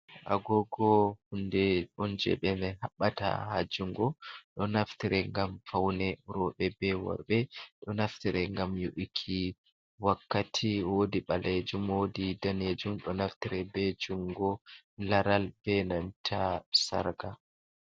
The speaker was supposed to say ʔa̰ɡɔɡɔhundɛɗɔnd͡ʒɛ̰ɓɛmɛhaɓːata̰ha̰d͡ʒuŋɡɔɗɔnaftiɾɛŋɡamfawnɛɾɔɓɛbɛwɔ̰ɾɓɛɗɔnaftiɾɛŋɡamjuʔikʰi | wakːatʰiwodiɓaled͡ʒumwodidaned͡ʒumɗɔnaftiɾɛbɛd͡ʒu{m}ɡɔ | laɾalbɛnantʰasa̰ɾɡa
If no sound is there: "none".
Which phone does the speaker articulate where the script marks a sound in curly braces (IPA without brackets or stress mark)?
ŋ